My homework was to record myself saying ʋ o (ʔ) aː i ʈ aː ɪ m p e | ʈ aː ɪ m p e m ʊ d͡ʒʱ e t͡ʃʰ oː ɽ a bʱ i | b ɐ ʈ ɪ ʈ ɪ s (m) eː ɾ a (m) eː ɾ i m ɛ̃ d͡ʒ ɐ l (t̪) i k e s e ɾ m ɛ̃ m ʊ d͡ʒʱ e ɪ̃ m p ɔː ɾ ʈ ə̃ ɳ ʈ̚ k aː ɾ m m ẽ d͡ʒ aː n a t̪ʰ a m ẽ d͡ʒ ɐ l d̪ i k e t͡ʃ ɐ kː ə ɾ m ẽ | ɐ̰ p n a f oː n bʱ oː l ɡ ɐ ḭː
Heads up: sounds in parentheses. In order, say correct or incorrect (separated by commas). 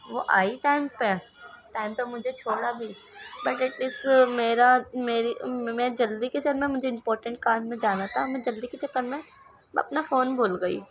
correct, correct, correct, incorrect